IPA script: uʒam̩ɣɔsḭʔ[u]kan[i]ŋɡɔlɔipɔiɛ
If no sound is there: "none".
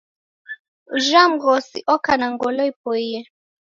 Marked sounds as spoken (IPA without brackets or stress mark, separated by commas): ɔ, a